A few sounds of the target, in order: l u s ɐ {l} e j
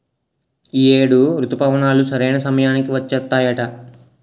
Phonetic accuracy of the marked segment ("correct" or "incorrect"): incorrect